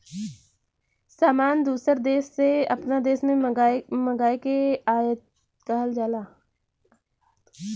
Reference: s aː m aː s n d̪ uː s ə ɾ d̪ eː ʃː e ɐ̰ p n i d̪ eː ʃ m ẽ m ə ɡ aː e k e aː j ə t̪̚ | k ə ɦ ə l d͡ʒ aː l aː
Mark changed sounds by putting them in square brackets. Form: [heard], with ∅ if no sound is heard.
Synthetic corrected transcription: s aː m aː [∅] n d̪ uː s ə ɾ d̪ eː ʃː e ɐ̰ p n [a] d̪ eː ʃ m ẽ m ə ɡ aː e k e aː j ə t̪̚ | k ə ɦ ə l d͡ʒ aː l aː